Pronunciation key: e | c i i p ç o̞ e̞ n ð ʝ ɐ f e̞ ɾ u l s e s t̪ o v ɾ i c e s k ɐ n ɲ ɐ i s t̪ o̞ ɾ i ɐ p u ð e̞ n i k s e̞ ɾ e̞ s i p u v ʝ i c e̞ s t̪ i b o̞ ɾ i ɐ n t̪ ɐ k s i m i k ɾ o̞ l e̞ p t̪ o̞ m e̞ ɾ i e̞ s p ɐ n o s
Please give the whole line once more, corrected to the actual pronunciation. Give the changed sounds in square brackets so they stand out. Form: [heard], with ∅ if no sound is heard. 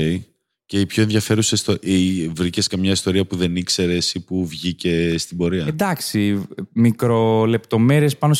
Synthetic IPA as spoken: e | c [e] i p ç o̞ e̞ n ð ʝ ɐ f e̞ ɾ u [∅] s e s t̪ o v ɾ i c e s k ɐ [m] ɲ ɐ i s t̪ o̞ ɾ i ɐ p u ð e̞ n i k s e̞ ɾ e̞ s i p u v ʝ i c e̞ s t̪ i b o̞ ɾ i ɐ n [d̪] ɐ k s i m i k ɾ o̞ l e̞ p t̪ o̞ m e̞ ɾ i e̞ s p ɐ n o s